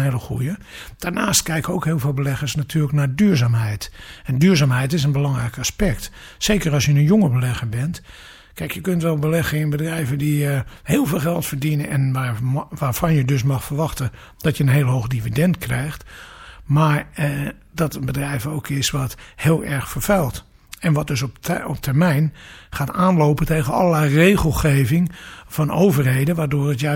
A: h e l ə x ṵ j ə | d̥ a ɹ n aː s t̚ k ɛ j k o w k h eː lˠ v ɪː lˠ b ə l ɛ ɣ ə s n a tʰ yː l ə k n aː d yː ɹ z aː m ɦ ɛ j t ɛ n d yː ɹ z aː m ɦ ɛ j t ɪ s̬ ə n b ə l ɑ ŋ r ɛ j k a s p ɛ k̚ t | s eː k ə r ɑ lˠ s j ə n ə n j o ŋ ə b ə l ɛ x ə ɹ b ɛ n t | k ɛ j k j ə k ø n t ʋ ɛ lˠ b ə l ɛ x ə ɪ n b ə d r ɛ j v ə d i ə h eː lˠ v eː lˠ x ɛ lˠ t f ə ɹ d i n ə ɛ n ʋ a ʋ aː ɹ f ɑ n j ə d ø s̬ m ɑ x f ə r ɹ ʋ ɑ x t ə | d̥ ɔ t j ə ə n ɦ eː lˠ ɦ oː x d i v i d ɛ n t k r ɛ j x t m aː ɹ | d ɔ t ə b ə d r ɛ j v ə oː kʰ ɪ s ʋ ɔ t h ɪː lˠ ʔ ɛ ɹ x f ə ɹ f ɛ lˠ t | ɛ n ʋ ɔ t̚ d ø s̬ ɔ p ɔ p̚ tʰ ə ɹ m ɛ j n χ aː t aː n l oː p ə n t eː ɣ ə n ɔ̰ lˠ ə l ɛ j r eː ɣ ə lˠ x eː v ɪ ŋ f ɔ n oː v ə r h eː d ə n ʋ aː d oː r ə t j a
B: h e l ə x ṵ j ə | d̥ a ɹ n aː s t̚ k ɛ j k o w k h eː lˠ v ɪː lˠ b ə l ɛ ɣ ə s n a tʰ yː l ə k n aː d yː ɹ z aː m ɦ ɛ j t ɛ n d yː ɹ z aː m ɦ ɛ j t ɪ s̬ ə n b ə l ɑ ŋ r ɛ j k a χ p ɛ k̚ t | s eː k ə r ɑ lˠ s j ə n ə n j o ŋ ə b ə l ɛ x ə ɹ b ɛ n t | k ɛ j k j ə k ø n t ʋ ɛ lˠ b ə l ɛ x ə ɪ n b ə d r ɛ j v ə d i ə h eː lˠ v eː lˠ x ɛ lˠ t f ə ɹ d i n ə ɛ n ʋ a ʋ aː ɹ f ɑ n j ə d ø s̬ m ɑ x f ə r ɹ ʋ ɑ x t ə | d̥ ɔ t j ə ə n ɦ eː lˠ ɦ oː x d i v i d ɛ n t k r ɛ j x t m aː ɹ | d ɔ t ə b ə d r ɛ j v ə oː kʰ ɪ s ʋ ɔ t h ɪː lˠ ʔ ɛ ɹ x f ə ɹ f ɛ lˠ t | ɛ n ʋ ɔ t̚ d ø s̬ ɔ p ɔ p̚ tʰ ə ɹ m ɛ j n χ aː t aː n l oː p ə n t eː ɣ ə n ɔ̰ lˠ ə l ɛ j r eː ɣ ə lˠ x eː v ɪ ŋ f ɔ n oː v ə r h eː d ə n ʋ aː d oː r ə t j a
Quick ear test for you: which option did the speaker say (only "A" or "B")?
A